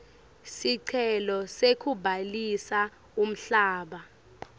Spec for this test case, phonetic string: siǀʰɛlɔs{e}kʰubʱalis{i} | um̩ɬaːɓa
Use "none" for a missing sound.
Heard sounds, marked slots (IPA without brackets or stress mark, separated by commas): e, a